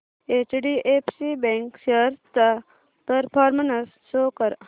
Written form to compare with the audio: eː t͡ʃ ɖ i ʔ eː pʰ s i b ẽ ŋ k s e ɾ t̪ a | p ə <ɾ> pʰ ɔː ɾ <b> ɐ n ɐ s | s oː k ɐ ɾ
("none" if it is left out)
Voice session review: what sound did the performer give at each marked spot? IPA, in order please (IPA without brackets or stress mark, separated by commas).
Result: ɾ, m